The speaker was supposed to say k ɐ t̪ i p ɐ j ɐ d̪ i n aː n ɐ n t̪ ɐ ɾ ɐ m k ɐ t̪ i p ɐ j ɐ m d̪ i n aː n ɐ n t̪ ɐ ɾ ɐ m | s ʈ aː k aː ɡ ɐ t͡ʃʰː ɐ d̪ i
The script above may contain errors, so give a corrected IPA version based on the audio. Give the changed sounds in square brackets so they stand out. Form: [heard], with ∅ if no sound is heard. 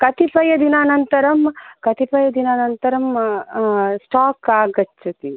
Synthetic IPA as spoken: k ɐ t̪ i p ɐ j ɐ d̪ i n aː n ɐ n t̪ ɐ ɾ ɐ m k ɐ t̪ i p ɐ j ɐ [∅] d̪ i n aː n ɐ n t̪ ɐ ɾ ɐ m | s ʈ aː k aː ɡ ɐ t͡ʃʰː ɐ [t̪] i